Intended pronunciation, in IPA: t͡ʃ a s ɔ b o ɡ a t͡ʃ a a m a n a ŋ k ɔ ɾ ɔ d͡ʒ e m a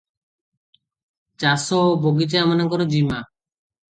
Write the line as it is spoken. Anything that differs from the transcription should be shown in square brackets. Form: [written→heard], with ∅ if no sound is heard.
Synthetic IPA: t͡ʃ a s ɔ b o ɡ [a→i] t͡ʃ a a m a n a ŋ k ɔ ɾ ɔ d͡ʒ [e→i] m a